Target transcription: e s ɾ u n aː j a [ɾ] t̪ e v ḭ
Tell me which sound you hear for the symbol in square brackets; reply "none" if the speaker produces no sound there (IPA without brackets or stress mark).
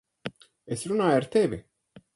ɾ